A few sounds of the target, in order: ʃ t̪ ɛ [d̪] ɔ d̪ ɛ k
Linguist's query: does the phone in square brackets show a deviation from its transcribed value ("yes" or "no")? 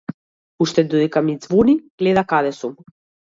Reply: no